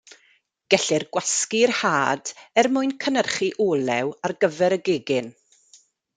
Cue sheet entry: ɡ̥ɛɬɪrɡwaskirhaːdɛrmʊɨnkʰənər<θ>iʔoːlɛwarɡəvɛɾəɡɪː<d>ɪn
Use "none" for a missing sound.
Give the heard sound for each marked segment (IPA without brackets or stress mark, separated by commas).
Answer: χ, ɡ